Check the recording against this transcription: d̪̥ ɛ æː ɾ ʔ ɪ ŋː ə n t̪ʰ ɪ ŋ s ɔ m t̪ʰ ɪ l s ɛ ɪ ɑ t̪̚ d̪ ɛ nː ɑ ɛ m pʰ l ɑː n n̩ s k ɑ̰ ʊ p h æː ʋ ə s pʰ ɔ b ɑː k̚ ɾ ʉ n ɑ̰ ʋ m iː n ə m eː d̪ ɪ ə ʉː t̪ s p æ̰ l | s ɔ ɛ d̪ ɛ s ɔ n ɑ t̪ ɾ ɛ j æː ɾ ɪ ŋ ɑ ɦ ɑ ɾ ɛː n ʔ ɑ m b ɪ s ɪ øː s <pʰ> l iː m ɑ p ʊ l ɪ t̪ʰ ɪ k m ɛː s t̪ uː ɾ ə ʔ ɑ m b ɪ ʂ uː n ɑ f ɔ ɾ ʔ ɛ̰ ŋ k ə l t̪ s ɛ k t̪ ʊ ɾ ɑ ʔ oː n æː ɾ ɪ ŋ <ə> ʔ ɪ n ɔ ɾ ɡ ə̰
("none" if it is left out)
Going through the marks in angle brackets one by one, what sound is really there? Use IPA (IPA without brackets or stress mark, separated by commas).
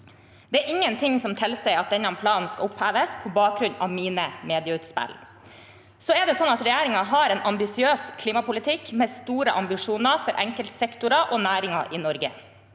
kʰ, ɑ